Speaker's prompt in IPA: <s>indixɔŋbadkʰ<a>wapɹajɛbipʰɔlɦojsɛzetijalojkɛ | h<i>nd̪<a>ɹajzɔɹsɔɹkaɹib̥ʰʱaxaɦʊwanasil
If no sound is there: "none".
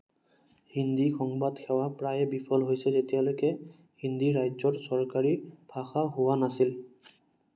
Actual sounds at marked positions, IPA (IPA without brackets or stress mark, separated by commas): h, ɛ, i, i